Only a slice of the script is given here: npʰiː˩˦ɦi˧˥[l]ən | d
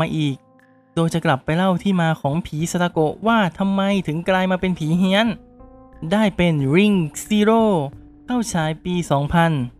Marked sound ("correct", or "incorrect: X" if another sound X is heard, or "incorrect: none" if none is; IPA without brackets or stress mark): incorrect: none